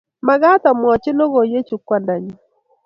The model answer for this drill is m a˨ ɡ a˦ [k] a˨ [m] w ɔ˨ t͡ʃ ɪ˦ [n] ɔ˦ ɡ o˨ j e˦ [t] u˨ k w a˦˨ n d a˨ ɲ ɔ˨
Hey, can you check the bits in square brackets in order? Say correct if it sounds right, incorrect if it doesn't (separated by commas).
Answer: incorrect, correct, correct, incorrect